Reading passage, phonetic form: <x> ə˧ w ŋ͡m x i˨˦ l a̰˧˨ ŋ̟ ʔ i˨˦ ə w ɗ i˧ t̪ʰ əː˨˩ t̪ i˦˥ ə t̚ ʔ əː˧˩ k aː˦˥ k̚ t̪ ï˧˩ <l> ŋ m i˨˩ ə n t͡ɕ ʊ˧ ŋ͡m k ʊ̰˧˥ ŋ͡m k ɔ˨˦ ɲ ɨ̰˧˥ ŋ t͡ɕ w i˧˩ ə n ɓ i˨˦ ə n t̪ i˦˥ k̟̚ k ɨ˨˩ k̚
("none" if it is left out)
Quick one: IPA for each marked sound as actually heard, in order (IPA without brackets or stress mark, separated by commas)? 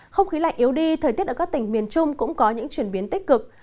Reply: x, none